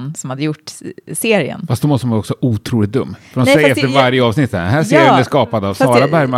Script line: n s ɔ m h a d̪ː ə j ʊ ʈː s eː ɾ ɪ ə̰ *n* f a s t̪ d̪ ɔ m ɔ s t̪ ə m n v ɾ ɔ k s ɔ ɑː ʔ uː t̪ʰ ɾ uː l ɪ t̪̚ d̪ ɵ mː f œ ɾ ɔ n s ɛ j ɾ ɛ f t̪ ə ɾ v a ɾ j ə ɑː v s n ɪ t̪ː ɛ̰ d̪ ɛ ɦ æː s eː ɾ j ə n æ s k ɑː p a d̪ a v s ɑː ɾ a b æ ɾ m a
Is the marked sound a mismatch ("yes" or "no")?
no